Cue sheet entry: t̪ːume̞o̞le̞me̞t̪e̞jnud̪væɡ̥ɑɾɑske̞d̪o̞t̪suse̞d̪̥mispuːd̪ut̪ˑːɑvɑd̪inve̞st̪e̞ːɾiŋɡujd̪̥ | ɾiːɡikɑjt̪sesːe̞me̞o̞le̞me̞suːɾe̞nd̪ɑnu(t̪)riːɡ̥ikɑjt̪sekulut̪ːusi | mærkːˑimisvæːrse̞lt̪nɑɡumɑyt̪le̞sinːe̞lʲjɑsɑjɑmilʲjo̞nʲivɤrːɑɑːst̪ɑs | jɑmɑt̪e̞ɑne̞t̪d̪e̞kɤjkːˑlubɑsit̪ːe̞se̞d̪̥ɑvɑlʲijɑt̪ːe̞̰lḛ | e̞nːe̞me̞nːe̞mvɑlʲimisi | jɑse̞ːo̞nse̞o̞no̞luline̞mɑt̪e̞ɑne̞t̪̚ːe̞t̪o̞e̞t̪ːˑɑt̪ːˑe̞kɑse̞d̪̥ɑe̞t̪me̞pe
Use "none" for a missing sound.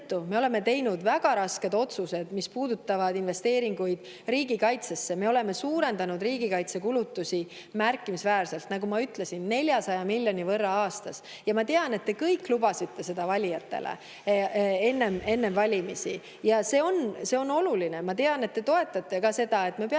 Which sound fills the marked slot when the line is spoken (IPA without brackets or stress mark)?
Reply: d̪